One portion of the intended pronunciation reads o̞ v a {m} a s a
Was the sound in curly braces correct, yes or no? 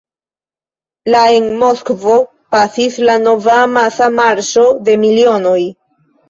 yes